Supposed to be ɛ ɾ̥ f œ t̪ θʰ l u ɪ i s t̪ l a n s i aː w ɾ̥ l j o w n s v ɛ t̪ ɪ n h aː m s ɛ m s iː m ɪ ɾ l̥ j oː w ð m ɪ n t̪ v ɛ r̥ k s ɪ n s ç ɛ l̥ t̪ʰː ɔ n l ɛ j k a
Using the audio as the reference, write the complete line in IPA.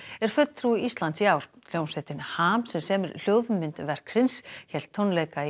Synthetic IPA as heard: ɛ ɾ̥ f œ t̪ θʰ ɾ u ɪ i s t̪ l a n s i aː w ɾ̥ l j o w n s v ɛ t̪ ɪ n h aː m s ɛ m s ɛː m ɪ ɾ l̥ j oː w ð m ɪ n t̪ v ɛ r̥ k s ɪ n s ç ɛ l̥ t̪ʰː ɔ n l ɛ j k a